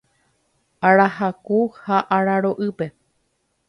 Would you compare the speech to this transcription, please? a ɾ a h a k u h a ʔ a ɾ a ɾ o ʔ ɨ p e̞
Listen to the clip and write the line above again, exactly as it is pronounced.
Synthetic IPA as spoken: a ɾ a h a k u h a ʔ a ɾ a ɾ o ʔ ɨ p e̞